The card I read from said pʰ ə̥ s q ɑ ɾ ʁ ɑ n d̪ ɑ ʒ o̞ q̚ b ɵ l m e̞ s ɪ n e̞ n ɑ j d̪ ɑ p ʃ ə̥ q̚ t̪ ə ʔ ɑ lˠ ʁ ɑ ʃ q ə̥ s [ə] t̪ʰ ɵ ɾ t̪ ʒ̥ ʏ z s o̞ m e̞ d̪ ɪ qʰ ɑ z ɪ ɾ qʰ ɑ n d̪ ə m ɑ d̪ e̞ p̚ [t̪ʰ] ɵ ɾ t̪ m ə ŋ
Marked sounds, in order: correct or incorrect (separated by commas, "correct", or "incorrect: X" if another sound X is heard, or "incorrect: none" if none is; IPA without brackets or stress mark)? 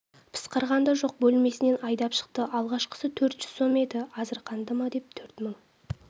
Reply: correct, correct